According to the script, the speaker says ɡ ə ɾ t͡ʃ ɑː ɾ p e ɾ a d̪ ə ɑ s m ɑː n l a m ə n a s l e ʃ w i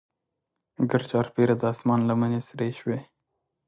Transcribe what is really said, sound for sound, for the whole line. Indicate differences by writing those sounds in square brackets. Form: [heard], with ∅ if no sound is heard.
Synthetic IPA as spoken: ɡ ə ɾ t͡ʃ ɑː ɾ p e ɾ a d̪ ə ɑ s m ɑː n l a m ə n [e] s [ɾ] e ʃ w [e]